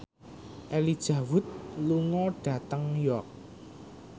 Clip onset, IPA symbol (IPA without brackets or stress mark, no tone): ʔ